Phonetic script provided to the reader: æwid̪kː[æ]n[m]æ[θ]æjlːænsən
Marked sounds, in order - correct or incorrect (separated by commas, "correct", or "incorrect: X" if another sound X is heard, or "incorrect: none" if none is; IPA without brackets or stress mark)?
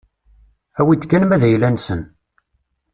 correct, correct, incorrect: ð